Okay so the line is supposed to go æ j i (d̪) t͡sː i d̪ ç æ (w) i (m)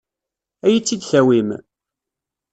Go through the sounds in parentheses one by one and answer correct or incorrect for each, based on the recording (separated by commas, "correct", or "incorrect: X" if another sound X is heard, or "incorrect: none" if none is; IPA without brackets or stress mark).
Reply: incorrect: none, correct, correct